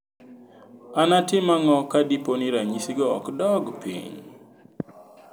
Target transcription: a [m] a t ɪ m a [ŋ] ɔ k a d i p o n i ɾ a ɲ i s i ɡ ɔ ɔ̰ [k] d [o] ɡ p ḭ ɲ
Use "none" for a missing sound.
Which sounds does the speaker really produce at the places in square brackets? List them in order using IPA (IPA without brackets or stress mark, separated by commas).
n, ŋ, k, ɔ